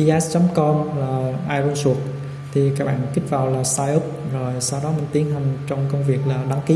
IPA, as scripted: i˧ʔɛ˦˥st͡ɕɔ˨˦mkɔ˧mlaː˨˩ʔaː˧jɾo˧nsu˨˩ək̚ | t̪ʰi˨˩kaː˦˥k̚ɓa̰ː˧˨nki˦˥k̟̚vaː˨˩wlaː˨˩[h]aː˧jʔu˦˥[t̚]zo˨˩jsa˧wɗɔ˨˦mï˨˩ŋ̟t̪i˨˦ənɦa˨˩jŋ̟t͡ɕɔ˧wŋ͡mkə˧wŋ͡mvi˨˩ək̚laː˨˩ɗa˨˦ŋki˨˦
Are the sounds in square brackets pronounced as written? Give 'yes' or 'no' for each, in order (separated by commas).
no, no